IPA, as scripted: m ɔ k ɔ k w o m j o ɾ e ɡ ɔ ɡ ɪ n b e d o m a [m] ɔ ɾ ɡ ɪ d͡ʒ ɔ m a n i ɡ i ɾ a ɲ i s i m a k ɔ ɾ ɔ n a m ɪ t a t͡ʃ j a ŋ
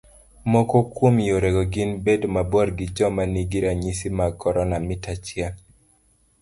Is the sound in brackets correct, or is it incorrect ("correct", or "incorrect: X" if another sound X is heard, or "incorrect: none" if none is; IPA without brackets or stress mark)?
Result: incorrect: b